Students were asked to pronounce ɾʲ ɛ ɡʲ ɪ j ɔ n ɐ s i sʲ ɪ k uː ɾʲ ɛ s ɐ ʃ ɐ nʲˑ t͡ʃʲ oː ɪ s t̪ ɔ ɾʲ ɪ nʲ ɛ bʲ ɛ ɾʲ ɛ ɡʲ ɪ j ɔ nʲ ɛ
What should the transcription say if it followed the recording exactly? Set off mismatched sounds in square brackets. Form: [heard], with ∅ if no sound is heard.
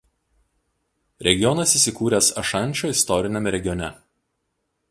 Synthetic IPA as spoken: ɾʲ ɛ ɡʲ ɪ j ɔ n ɐ s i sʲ ɪ k uː ɾʲ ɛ s ɐ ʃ ɐ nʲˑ t͡ʃʲ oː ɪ s t̪ ɔ ɾʲ ɪ nʲ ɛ [mʲ] ɛ ɾʲ ɛ ɡʲ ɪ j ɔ nʲ ɛ